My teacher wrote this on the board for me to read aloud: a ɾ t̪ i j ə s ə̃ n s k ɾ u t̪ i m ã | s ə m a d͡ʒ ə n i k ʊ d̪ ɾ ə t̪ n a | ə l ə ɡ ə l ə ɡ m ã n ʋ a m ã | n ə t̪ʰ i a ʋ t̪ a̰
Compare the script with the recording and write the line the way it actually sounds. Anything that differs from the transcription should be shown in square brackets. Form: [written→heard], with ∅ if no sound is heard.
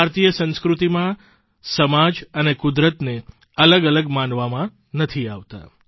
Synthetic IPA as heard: a ɾ t̪ i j ə s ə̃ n s k ɾ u t̪ i m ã | s ə m a d͡ʒ ə n [i→e] k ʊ d̪ ɾ ə t̪ n [a→e] | ə l ə ɡ ə l ə ɡ m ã n ʋ a m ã | n ə t̪ʰ i a ʋ t̪ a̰